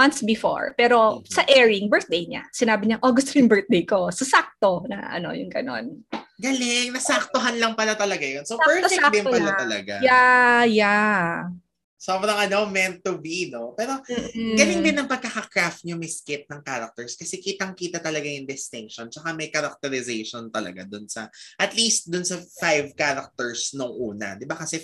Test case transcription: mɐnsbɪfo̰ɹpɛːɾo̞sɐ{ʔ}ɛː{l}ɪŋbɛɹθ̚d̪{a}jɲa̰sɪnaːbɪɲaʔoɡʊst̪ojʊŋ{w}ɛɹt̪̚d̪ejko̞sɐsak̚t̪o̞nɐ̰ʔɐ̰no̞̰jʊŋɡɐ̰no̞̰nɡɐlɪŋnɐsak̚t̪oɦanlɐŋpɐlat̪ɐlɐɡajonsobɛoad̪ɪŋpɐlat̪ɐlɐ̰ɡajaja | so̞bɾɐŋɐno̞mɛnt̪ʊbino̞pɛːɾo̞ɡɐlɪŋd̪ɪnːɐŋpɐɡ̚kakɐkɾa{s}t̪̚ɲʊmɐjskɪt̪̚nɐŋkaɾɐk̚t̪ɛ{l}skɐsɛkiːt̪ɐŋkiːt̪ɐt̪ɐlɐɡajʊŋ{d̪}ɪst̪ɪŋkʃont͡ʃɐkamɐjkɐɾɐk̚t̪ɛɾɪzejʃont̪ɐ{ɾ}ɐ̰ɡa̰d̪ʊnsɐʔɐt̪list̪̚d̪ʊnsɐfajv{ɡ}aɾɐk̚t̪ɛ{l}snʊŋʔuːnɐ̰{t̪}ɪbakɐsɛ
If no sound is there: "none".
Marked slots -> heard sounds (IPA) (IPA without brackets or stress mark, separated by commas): ʔ, ɹ, e, b, f, ɹ, d̪, l, k, ɹ, d̪